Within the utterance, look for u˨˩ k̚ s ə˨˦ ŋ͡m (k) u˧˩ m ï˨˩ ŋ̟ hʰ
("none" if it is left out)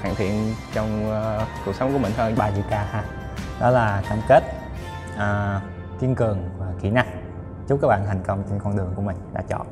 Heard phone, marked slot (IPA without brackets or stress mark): k